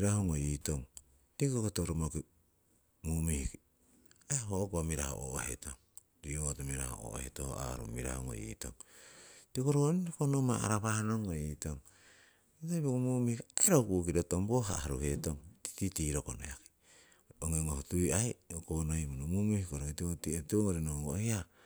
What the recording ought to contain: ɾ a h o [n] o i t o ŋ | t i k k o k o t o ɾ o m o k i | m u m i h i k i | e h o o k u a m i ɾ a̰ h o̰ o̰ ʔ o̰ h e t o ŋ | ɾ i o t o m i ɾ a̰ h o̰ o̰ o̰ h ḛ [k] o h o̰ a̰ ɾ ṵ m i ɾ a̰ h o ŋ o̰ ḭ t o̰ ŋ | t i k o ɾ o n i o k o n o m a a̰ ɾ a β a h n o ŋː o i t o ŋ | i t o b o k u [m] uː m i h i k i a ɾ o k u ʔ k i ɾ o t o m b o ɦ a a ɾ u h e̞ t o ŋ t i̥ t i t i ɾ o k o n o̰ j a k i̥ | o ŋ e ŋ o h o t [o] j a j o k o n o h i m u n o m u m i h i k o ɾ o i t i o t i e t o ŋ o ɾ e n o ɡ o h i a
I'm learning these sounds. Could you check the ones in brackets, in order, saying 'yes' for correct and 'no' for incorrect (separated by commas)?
no, no, yes, no